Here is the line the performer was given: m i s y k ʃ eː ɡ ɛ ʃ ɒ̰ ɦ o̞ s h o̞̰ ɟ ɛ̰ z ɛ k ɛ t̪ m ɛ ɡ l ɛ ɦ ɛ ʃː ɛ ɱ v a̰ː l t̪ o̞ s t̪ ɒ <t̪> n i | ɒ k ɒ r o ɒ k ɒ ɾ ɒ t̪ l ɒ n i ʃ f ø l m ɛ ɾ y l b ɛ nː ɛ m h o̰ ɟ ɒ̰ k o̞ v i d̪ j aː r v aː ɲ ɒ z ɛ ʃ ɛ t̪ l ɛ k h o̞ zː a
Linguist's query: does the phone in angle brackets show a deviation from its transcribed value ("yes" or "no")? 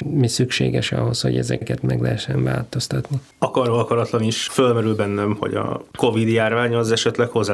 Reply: no